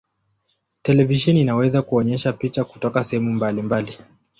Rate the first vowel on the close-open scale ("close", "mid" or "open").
mid